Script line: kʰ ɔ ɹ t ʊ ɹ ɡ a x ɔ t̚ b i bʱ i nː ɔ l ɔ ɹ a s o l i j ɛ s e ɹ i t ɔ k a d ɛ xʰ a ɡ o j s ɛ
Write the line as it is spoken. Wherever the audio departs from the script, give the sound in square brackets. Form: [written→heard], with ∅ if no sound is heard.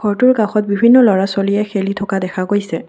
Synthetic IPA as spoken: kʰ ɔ ɹ t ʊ ɹ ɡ a x ɔ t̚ b i bʱ i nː ɔ l ɔ ɹ a s o l i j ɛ [s→x] e [ɹ→l] i [t→tʰ] ɔ k a d ɛ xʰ a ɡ o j s ɛ

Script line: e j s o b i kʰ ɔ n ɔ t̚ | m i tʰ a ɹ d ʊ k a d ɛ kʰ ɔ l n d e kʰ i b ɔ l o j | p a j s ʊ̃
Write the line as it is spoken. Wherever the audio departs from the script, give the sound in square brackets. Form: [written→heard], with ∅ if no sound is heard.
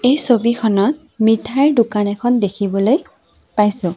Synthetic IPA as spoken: e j s o b i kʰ ɔ n ɔ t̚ | m i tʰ a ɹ d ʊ k a [d→n] ɛ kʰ ɔ [l→∅] n d e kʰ i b ɔ l o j | p a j s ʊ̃

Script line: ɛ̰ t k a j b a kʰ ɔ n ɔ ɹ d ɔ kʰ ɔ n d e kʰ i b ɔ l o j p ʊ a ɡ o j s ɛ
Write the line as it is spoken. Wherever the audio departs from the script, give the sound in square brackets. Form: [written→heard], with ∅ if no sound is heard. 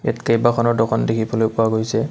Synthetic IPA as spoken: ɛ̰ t k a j b a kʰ ɔ n ɔ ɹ d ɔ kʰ ɔ n d e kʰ i b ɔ l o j p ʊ a ɡ o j s ɛ

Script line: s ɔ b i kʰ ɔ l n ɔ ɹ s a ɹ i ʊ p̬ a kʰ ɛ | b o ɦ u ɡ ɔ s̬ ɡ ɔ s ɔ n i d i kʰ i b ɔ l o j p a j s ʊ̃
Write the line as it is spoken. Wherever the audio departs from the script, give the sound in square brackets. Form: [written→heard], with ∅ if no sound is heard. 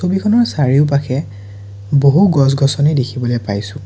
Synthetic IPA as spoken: s [ɔ→o] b i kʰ ɔ [l→∅] n ɔ ɹ s a ɹ i ʊ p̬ a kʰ ɛ | b o ɦ u ɡ ɔ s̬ ɡ ɔ s ɔ n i d [i→e] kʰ i b ɔ l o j p a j s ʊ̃

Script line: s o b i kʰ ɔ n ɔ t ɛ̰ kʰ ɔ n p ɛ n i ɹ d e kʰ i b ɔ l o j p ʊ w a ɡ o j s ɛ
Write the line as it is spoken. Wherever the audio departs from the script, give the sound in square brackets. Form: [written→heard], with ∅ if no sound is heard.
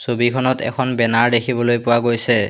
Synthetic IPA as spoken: s o b i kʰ ɔ n ɔ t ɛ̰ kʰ ɔ n [p→b] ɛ n [i→a] ɹ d e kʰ i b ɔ l o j p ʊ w a ɡ o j s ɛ

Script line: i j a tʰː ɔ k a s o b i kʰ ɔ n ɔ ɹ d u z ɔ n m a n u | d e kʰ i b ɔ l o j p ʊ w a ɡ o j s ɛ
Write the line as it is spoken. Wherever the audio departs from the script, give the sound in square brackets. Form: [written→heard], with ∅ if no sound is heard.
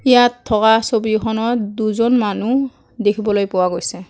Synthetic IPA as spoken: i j a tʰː ɔ k a s o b i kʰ ɔ n ɔ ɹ d u z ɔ n m a n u | d e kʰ i b ɔ l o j p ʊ w a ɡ o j s ɛ

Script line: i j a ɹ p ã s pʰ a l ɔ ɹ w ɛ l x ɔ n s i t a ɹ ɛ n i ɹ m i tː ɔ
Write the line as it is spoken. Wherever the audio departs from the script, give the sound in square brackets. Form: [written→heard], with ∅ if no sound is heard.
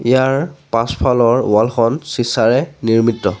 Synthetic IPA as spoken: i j a ɹ p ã s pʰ a l ɔ ɹ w [ɛ→a] l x ɔ n s i [t→s] a ɹ ɛ n i ɹ m i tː ɔ

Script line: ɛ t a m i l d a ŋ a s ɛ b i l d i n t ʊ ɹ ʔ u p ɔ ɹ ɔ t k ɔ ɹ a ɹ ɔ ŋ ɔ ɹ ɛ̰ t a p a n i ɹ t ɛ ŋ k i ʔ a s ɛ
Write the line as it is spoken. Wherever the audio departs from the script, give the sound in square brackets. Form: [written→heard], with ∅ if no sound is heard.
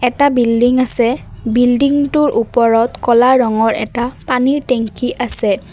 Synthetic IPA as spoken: ɛ t a [m→b] i l d [a→i] ŋ a s ɛ b i l d i [n→ŋ] t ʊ ɹ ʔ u p ɔ ɹ ɔ t k ɔ [ɹ→l] a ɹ ɔ ŋ ɔ ɹ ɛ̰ t a p a n i ɹ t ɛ ŋ k i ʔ a s ɛ

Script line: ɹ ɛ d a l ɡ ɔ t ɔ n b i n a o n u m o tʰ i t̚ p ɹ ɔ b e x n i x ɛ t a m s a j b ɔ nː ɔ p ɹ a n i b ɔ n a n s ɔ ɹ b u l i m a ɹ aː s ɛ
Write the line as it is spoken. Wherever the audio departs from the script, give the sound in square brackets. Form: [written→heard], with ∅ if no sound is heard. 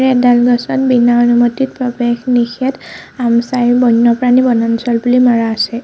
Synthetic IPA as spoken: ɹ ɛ d a l ɡ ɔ [t→s] ɔ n b i n a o n u m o [tʰ→t] i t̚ p ɹ ɔ b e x n i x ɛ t a m s a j b ɔ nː ɔ p ɹ a n i b ɔ n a n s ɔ [ɹ→l] b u l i m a ɹ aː s ɛ

